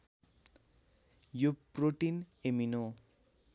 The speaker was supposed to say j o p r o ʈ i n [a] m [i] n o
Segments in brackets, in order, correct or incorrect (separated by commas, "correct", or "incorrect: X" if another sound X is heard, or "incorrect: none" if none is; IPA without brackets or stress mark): incorrect: e, correct